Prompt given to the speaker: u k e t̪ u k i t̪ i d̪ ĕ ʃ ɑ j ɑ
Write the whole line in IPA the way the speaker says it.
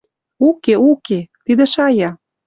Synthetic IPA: u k e u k e t̪ i d̪ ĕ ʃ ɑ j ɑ